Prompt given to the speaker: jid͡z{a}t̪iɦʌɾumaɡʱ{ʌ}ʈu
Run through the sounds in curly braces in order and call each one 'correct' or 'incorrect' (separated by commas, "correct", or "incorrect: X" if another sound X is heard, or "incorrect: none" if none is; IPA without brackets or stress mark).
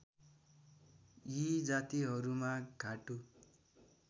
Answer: correct, incorrect: a